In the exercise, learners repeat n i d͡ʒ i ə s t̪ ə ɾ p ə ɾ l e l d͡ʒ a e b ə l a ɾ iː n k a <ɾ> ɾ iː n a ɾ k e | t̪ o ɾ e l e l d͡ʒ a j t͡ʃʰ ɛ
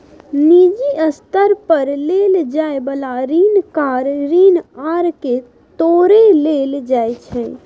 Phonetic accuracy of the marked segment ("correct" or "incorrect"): correct